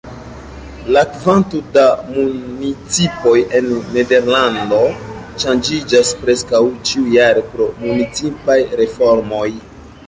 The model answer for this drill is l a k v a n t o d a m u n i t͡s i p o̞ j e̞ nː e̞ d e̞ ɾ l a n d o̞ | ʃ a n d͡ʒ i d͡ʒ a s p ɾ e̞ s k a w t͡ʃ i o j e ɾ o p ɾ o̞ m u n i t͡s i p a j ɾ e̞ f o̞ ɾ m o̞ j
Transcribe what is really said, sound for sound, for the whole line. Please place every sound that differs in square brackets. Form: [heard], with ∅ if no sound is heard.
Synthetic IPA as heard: l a k v a n t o d a m u n i t͡s i p o̞ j e̞ nː e̞ d e̞ ɾ l a n d o̞ | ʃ a n d͡ʒ i d͡ʒ a s p ɾ e̞ s k a w t͡ʃ i [u] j [a] ɾ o p ɾ o̞ m u n i t͡s i p a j ɾ e̞ f o̞ ɾ m o̞ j